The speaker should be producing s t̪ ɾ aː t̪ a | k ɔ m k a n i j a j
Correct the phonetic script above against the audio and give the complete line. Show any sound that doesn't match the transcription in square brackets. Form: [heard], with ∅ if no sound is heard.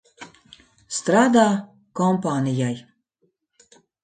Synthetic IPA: s t̪ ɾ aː [d̪] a | k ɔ m [p] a n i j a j